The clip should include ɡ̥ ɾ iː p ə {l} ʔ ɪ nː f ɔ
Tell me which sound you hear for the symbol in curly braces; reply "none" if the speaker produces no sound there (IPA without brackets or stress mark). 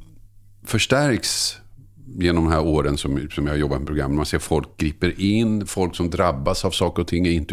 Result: ɾ